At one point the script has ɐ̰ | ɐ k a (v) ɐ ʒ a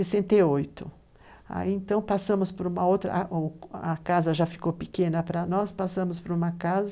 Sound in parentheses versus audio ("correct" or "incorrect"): incorrect